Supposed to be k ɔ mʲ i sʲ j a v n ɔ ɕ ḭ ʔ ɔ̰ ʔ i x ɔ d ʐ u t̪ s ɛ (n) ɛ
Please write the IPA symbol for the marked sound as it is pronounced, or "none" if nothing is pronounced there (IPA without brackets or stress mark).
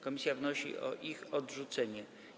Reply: ɲ